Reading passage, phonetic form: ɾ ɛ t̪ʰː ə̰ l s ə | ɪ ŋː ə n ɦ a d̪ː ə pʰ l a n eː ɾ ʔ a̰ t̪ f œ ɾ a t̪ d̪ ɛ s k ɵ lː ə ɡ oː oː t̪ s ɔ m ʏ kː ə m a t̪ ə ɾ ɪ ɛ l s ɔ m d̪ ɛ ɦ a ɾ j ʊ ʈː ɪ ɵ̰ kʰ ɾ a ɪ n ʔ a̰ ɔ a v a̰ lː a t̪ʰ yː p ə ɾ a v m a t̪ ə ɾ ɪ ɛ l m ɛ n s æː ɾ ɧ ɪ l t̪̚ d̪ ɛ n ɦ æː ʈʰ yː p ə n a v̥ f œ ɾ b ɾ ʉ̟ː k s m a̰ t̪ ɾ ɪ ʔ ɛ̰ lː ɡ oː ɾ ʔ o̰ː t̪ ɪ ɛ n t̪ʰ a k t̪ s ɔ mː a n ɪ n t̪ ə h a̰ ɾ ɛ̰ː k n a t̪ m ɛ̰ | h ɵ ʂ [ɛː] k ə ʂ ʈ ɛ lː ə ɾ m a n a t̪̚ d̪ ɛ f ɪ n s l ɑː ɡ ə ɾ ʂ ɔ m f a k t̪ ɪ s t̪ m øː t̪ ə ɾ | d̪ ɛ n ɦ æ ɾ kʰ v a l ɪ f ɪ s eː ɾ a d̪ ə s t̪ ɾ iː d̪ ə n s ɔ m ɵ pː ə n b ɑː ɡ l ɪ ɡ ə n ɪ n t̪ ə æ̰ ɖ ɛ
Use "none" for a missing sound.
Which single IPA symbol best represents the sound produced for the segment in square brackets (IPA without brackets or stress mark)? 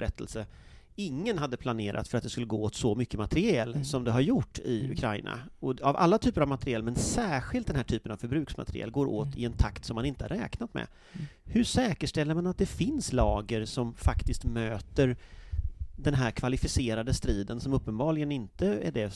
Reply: ɛː